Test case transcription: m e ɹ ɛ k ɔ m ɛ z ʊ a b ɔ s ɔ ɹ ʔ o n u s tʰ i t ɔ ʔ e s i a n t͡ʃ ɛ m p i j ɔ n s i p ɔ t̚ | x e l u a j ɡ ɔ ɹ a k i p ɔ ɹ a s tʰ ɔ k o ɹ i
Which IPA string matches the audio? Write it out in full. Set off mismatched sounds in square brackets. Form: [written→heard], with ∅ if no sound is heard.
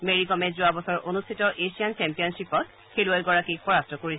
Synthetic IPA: m e ɹ [ɛ→i] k ɔ m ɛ z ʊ a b ɔ s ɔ ɹ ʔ o n u s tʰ i t ɔ ʔ e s i a n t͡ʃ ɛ m p i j ɔ n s i p ɔ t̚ | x e l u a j ɡ ɔ ɹ a k i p ɔ ɹ a s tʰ ɔ k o ɹ i